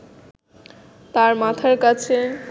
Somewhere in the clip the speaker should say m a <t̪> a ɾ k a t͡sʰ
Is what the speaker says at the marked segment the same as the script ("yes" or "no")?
no